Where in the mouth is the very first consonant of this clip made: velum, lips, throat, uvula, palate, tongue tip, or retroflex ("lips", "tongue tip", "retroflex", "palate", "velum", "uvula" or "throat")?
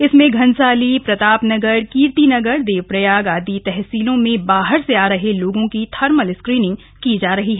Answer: tongue tip